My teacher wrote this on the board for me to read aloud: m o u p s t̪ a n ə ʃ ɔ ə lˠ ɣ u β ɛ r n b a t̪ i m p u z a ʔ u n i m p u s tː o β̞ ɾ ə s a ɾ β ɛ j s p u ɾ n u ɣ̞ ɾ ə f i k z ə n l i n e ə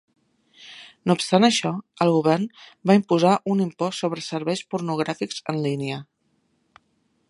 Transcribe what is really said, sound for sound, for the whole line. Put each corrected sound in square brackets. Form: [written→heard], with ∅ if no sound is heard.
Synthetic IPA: [m→n] o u p s t̪ a n ə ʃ ɔ ə lˠ ɣ u β ɛ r n b a [t̪→∅] i m p u z a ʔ u n i m p [u→ɔ] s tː o β̞ ɾ ə s [a→ə] ɾ β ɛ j s p u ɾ n u ɣ̞ ɾ [ə→a] f i k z ə n l i n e ə